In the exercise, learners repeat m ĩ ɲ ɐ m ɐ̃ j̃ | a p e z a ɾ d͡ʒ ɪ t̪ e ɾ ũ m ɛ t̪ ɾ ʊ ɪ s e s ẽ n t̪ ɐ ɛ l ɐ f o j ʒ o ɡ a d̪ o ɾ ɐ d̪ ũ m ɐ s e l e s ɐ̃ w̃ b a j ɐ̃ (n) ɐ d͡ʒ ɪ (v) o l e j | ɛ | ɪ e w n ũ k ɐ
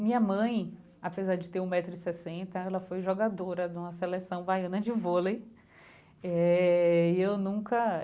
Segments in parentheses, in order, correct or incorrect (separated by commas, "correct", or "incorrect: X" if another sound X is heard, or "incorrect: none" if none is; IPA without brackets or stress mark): correct, correct